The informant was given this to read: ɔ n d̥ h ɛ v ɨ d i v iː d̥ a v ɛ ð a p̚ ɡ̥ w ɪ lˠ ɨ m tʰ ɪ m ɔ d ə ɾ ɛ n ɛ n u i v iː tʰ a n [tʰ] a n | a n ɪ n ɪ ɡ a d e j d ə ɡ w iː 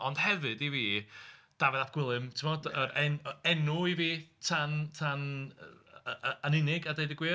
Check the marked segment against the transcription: correct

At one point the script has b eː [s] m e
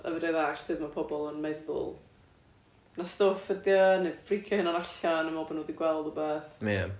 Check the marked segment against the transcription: incorrect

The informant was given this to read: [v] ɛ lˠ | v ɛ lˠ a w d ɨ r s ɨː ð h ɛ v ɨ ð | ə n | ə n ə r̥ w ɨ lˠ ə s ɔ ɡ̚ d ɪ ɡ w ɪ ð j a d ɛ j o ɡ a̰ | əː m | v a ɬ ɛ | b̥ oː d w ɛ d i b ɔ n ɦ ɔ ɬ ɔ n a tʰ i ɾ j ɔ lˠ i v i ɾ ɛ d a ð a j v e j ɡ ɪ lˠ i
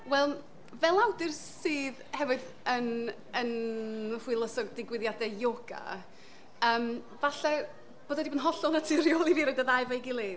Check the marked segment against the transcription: incorrect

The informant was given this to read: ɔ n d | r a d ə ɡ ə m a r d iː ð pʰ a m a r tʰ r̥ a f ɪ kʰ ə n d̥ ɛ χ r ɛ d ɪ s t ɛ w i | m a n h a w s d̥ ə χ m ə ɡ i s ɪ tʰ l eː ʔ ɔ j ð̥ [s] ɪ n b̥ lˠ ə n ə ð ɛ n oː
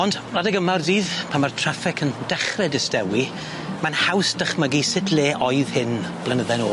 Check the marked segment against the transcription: incorrect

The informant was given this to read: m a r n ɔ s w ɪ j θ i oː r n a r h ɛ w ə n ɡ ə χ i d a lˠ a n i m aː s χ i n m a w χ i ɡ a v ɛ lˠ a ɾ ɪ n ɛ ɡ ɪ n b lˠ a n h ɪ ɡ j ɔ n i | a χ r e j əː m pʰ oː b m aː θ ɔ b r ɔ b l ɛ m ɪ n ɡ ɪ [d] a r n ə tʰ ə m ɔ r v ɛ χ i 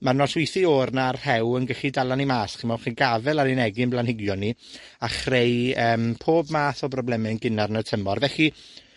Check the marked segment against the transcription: incorrect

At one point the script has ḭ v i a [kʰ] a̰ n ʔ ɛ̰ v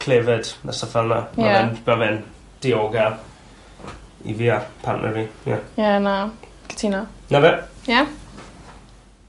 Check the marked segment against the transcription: incorrect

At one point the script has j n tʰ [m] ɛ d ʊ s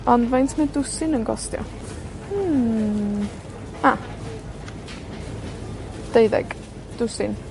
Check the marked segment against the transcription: correct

